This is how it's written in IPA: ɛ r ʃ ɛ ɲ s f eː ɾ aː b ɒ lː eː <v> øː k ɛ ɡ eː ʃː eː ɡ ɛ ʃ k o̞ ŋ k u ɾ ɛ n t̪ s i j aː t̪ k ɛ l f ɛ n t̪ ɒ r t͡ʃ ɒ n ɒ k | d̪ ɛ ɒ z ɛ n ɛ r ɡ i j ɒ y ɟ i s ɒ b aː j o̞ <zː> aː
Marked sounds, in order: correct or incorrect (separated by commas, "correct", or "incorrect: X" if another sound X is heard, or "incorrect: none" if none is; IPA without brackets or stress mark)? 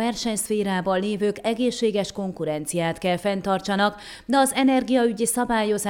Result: correct, incorrect: z